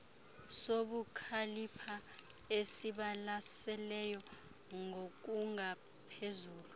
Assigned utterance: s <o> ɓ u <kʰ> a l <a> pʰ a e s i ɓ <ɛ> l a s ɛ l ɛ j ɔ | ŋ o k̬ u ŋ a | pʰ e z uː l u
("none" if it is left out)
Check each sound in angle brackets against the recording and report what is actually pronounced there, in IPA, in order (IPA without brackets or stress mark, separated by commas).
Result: o, kʰ, i, a